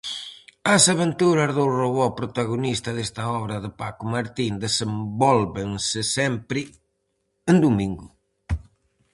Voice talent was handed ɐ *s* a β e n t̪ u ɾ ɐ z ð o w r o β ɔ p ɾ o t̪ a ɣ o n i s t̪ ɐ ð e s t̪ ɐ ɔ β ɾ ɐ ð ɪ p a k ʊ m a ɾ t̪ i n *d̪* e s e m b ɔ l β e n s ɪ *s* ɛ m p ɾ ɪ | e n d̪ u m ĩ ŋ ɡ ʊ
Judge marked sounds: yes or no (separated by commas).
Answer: yes, yes, yes